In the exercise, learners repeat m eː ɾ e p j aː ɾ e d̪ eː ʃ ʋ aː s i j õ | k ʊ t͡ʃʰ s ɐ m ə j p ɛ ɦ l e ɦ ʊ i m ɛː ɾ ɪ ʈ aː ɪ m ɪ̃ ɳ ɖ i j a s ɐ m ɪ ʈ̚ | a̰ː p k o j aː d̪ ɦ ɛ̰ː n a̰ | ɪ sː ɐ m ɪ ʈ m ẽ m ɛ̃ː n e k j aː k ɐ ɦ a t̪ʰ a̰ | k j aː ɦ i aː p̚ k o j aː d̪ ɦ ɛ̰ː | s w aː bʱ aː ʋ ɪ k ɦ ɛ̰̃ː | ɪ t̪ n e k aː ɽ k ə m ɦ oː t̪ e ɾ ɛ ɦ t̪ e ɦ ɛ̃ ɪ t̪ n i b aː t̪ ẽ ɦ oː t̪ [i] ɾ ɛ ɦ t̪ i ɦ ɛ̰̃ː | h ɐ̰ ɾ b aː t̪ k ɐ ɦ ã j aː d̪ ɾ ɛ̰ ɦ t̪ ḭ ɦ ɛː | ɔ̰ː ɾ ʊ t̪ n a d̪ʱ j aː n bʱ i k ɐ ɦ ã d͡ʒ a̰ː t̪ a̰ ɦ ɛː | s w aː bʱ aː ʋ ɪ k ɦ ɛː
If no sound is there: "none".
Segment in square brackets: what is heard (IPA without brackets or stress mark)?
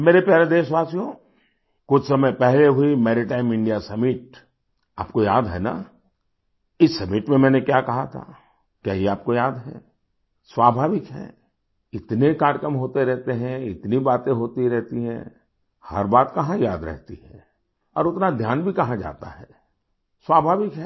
i